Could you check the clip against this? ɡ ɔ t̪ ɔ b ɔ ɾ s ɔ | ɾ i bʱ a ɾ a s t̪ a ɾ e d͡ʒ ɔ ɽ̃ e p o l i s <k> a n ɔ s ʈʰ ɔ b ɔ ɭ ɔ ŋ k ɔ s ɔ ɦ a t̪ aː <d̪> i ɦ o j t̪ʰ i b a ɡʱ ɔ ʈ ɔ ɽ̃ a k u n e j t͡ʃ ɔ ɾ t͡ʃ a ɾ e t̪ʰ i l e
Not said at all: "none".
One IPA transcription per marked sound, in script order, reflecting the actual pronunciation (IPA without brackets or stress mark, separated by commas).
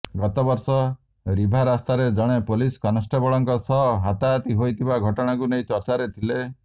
k, t̪